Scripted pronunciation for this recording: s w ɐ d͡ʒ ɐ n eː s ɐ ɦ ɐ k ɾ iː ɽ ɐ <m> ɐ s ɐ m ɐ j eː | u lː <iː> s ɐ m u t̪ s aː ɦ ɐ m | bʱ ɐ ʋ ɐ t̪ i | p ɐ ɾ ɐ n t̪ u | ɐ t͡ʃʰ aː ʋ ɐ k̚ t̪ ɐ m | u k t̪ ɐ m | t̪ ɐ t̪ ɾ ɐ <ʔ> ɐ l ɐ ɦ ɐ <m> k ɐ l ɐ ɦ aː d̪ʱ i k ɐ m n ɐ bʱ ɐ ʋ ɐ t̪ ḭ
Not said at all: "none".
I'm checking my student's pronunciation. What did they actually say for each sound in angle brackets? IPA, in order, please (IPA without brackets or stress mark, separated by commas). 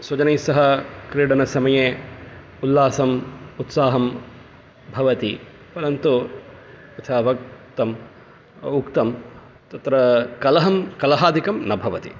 n, aː, k, m